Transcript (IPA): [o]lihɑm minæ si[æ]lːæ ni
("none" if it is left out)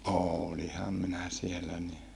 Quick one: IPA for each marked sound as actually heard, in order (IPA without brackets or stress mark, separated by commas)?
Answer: oː, e